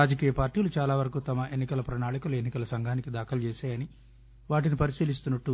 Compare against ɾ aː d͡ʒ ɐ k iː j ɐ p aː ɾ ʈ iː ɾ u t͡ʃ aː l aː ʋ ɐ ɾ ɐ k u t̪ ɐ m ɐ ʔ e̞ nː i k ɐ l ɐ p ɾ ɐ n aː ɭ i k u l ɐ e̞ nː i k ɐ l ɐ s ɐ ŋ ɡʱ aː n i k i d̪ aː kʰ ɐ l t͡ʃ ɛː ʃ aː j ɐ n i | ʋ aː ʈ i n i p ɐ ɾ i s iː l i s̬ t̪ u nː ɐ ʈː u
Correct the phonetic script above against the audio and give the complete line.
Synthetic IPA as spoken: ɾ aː d͡ʒ ɐ k iː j ɐ p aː ɾ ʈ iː l u t͡ʃ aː l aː ʋ ɐ ɾ ɐ k u t̪ ɐ m ɐ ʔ e̞ nː i k ɐ l ɐ p ɾ ɐ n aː ɭ i k u l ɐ e̞ nː i k ɐ l ɐ s ɐ ŋ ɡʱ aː n i k i d̪ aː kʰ ɐ l t͡ʃ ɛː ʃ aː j ɐ n i | ʋ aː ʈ i n i p ɐ ɾ i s iː l i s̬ t̪ u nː ɐ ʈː u